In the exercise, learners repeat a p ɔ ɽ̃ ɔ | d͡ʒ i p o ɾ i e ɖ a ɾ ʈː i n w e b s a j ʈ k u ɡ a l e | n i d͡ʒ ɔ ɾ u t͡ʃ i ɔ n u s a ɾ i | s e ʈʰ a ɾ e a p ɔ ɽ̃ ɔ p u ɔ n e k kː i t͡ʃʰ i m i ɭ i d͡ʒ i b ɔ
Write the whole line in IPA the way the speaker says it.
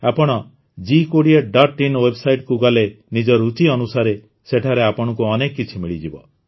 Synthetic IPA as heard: a p ɔ ɽ̃ ɔ | d͡ʒ i k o ɽ i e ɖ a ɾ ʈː i n w e b s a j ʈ k u ɡ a l e | n i d͡ʒ ɔ ɾ u t͡ʃ i ɔ n u s a ɾ e | s e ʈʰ a ɾ e a p ɔ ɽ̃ ɔ k u ɔ n e k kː i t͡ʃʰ i m i ɭ i d͡ʒ i b ɔ